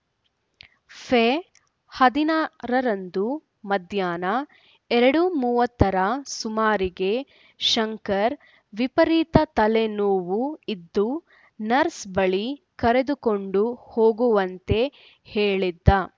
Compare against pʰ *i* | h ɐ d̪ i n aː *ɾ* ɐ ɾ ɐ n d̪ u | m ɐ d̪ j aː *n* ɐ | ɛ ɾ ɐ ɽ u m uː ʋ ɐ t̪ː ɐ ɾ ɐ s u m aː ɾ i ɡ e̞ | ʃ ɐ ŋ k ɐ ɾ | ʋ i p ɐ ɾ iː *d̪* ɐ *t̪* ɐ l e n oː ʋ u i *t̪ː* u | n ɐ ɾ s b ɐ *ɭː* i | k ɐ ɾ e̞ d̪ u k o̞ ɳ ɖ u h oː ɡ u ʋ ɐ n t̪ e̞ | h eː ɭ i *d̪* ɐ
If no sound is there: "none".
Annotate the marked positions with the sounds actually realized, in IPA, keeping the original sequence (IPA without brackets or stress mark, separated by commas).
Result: e, ɾ, n, t̪, t̪, d̪ː, ɭ, d̪ː